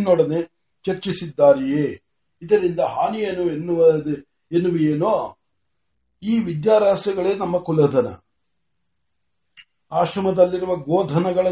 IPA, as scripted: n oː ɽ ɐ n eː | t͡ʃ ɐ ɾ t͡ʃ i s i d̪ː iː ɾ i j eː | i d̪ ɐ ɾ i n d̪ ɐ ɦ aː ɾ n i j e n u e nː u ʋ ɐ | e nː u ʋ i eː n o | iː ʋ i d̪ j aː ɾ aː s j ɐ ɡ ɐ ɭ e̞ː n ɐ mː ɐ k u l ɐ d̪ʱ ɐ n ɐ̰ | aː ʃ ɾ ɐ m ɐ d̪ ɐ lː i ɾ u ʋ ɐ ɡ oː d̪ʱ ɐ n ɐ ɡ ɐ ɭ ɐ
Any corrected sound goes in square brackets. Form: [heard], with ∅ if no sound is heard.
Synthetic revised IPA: n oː ɽ ɐ n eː | t͡ʃ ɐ ɾ t͡ʃ i s i d̪ː [aː] ɾ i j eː | i d̪ ɐ ɾ i n d̪ ɐ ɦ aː [∅] n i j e n u e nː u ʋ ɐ | e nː u ʋ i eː n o | iː ʋ i d̪ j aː ɾ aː s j ɐ ɡ ɐ ɭ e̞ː n ɐ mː ɐ k u l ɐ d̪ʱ ɐ n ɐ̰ | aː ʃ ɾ ɐ m ɐ d̪ ɐ lː i ɾ u ʋ ɐ ɡ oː d̪ʱ ɐ n ɐ ɡ ɐ ɭ ɐ